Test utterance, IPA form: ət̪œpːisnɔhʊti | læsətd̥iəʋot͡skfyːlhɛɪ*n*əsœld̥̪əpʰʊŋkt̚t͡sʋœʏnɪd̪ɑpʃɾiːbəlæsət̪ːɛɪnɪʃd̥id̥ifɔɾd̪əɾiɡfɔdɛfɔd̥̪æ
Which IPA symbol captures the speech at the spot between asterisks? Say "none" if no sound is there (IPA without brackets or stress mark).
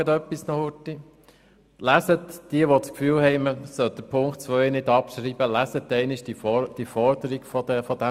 m